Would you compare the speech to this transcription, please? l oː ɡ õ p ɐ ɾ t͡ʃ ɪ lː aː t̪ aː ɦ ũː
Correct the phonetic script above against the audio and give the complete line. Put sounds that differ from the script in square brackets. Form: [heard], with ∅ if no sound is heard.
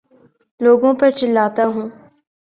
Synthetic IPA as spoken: l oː ɡ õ p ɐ ɾ t͡ʃ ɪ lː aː t̪ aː ɦ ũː